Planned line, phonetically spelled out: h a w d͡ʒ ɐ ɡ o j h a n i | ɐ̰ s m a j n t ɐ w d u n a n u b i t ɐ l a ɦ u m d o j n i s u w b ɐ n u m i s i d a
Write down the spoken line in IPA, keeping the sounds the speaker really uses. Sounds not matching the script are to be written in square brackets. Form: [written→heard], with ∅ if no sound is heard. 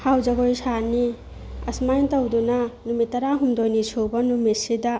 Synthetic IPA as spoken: h a w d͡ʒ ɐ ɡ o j [h→s] a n i | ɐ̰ s m a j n t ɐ w d u n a n u [b→m] i t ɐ [l→ɾ] a ɦ u m d o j n i s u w b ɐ n u m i s i d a